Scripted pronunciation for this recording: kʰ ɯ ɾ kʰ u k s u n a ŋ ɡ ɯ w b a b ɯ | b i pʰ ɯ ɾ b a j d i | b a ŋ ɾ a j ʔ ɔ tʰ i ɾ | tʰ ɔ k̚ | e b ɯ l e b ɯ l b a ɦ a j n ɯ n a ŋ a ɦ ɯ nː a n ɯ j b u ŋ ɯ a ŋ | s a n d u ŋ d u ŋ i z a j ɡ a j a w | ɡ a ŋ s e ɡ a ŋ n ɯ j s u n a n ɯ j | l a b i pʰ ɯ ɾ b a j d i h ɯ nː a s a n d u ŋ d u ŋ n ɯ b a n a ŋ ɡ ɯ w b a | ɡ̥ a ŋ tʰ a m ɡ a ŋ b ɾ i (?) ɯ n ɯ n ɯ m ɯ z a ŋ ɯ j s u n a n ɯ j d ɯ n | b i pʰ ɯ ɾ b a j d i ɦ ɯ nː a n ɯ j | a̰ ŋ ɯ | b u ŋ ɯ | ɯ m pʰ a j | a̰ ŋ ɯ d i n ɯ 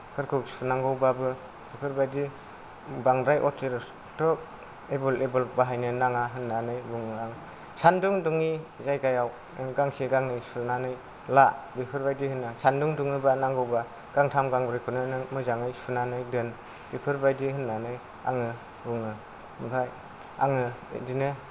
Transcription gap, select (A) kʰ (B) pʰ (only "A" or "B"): A